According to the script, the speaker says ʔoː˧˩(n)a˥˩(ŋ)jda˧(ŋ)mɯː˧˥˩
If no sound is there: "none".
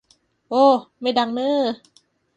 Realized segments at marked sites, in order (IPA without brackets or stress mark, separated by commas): m, none, ŋ